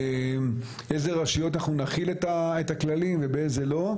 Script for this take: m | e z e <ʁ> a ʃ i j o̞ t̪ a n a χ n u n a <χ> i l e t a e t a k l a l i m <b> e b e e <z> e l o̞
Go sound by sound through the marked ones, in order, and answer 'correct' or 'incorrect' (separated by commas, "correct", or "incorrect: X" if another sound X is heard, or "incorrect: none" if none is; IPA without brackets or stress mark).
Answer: correct, correct, incorrect: v, correct